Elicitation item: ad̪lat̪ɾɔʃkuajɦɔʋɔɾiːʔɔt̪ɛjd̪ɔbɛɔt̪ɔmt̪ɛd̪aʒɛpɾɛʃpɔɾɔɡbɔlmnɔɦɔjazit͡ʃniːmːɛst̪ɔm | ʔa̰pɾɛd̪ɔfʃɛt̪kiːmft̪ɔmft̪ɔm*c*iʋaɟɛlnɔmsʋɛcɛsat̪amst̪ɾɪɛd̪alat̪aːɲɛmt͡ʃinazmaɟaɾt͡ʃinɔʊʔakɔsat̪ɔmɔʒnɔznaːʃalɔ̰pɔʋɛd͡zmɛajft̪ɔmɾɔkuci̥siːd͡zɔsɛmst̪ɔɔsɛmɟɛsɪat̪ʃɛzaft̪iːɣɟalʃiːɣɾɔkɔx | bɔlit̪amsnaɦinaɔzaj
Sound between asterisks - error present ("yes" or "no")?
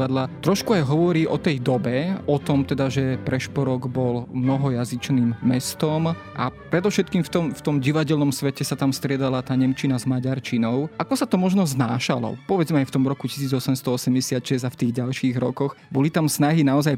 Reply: yes